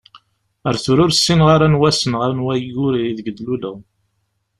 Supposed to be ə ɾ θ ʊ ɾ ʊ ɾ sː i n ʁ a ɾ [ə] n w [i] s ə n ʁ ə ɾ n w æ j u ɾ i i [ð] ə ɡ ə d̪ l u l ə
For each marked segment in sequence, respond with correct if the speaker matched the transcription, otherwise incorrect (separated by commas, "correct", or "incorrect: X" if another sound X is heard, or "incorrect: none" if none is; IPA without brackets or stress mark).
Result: incorrect: a, incorrect: æ, correct